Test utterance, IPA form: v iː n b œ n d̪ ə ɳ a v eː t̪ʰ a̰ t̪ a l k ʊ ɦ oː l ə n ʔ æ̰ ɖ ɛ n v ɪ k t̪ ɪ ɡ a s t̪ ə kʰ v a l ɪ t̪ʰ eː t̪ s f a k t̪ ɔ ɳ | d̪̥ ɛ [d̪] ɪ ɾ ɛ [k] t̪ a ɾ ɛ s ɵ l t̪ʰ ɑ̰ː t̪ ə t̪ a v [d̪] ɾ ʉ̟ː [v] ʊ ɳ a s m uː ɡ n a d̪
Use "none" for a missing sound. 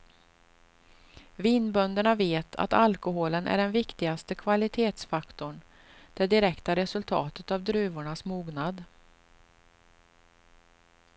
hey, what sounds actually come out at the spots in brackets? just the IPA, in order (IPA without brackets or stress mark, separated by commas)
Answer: d̪, k, d̪, v